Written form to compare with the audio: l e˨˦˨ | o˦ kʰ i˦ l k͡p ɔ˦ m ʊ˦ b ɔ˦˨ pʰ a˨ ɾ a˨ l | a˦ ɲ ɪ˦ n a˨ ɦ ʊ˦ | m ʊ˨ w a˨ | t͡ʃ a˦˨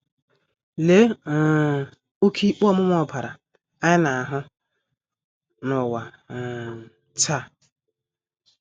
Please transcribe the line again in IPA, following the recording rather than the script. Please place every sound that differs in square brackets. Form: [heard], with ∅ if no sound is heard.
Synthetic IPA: l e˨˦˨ | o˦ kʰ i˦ [∅] k͡p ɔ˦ m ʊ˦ [m] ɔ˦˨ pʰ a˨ ɾ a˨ [∅] | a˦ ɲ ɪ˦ n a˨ ɦ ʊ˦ | [n] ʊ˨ w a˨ | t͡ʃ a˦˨